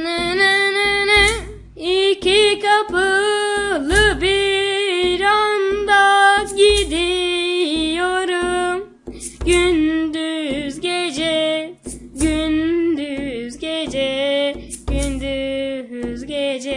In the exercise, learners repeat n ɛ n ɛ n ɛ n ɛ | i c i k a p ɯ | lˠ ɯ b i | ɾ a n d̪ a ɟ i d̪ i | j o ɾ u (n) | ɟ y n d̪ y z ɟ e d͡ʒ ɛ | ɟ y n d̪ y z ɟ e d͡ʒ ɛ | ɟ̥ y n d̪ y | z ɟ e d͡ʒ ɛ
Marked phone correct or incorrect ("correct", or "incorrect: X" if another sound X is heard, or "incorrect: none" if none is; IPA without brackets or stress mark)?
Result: incorrect: m